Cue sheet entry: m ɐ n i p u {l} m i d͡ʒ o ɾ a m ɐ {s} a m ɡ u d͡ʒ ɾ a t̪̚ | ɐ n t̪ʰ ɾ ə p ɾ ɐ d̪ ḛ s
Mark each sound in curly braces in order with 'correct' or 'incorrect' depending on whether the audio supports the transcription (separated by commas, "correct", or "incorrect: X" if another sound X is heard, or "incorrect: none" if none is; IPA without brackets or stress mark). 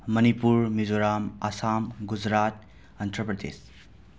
incorrect: ɾ, correct